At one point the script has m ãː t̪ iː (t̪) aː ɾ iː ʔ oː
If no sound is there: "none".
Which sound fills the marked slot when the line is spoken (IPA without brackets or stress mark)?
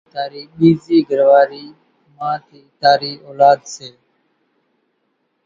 t̪